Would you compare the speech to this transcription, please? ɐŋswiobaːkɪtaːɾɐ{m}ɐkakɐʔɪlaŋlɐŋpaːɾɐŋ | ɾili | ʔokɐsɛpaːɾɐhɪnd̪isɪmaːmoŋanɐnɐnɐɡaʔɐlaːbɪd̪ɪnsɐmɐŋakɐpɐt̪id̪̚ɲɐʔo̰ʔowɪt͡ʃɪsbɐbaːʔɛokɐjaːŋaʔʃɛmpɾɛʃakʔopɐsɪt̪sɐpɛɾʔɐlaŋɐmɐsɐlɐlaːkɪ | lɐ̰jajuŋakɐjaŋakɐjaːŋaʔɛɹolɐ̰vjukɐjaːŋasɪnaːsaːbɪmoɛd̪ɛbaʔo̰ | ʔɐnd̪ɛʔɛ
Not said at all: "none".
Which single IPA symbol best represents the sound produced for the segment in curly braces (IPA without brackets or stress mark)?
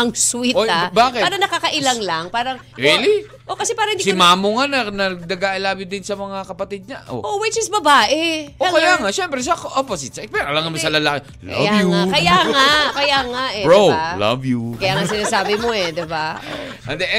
n